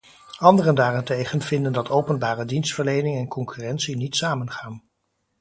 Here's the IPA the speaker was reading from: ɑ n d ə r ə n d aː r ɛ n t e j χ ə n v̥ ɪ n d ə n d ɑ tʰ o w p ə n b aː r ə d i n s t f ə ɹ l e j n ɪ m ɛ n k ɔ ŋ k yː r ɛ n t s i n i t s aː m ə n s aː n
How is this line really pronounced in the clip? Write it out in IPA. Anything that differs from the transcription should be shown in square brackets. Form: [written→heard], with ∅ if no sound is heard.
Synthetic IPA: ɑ n d ə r ə n d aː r ɛ n t e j χ ə n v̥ ɪ n d ə n d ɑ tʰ o w p ə n b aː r ə d i n s t f ə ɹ l e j n ɪ [m→ŋ] ɛ n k ɔ ŋ k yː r ɛ n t s i n i t s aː m ə n [s→χ] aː n